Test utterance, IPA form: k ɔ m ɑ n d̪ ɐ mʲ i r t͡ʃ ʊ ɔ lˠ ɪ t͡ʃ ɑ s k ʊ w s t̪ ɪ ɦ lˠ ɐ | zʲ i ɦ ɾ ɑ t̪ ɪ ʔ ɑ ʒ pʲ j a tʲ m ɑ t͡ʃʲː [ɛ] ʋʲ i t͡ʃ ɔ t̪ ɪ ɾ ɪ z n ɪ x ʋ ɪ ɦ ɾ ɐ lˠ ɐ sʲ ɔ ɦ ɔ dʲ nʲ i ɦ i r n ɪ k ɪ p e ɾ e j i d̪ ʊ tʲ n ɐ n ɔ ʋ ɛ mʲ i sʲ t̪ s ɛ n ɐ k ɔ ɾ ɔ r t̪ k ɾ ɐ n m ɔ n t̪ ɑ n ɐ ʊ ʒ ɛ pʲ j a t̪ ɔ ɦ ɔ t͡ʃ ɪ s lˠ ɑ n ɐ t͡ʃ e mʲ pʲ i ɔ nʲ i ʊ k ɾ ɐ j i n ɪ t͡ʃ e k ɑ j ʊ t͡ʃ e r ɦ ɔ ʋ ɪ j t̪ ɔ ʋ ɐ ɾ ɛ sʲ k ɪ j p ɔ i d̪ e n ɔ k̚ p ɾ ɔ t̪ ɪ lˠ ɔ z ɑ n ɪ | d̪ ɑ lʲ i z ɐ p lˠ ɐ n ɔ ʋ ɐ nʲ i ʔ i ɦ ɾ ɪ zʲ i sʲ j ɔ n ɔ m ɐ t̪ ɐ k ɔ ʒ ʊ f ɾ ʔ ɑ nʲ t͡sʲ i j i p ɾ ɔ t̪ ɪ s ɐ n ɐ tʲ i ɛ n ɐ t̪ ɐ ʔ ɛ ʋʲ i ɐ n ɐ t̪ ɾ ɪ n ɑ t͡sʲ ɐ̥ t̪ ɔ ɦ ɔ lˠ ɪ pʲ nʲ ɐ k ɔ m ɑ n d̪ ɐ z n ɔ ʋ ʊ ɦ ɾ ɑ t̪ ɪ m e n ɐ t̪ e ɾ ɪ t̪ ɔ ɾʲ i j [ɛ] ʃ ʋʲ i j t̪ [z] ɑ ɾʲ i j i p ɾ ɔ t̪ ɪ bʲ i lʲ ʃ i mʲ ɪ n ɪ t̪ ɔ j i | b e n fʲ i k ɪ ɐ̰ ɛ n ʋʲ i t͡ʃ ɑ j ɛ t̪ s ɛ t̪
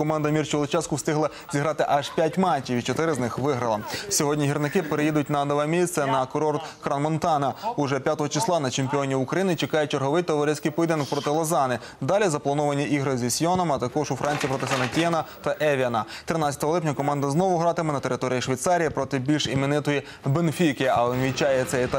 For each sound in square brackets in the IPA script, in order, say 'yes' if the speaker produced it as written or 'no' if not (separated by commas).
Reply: no, no, no